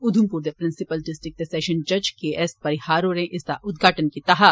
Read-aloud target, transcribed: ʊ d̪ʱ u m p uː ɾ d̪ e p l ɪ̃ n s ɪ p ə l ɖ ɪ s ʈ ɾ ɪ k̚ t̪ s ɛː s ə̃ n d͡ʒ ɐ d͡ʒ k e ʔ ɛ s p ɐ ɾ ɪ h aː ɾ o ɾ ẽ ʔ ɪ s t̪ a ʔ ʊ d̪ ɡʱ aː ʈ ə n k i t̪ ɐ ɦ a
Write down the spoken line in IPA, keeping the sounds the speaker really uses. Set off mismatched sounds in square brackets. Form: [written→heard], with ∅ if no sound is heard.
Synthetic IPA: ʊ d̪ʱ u m p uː ɾ d̪ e p [l→ɾ] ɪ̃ n s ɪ p ə l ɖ ɪ s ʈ ɾ ɪ k̚ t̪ s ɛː [s→ʃ] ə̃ n d͡ʒ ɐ d͡ʒ k e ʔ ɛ s p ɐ ɾ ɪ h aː ɾ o ɾ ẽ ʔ ɪ s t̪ a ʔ ʊ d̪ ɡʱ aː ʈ ə n k i t̪ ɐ ɦ a